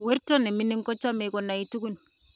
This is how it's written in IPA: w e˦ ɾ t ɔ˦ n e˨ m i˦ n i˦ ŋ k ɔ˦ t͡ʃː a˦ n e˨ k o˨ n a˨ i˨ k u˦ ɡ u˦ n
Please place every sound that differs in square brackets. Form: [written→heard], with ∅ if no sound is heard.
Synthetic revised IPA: w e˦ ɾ t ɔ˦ n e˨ m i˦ n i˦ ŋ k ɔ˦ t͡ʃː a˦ [n→m] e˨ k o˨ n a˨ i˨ [k→t] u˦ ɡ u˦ n